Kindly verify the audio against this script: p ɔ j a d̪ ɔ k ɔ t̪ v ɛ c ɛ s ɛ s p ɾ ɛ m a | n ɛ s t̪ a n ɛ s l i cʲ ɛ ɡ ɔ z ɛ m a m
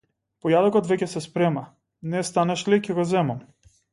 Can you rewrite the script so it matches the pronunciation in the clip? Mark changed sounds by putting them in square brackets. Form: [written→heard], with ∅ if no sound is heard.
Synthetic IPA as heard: p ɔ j a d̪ ɔ k ɔ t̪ v ɛ c ɛ s ɛ s p ɾ ɛ m a | n ɛ s t̪ a n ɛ [s→ʃ] l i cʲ ɛ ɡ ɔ z ɛ m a m